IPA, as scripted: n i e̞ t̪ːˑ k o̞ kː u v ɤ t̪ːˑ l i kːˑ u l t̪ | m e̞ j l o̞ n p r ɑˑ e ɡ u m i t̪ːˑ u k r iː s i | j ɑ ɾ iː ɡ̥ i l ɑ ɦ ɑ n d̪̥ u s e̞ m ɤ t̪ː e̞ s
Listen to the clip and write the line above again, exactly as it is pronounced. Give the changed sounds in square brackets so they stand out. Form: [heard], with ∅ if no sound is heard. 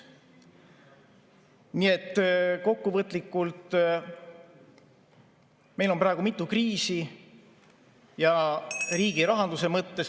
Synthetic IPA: n i e̞ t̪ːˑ k o̞ kː u v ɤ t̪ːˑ l i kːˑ u l t̪ | m e̞ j l o̞ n p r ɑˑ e ɡ u m i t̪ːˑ u k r iː s i | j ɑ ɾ iː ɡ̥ i [ɾ] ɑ ɦ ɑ n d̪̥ u s e̞ m ɤ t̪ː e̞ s